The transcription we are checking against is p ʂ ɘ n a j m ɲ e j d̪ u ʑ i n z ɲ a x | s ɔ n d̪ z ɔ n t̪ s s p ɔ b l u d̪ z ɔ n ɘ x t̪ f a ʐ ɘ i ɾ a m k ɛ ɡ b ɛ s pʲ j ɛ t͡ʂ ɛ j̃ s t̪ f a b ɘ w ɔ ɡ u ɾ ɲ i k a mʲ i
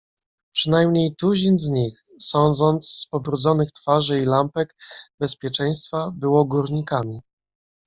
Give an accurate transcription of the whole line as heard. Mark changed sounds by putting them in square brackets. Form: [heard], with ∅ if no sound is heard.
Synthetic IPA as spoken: p ʂ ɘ n a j m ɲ e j [t̪] u ʑ i n z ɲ [i] x | s ɔ n d̪ z ɔ n t̪ s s p ɔ b [ɾ] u d̪ z ɔ n ɘ x t̪ f a ʐ ɘ i [l] a m [p] ɛ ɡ b ɛ s pʲ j ɛ t͡ʂ ɛ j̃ s t̪ f a b ɘ w ɔ ɡ u ɾ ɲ i k a mʲ i